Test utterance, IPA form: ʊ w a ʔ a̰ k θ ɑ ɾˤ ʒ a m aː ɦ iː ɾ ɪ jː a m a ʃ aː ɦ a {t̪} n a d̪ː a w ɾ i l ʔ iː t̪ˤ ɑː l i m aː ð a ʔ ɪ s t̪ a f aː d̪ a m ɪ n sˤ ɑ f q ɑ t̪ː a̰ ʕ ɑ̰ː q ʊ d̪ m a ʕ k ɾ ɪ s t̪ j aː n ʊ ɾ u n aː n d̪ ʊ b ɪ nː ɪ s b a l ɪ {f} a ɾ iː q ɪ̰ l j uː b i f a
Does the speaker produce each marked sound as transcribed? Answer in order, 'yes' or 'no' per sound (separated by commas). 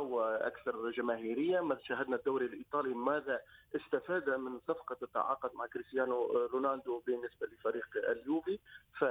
no, yes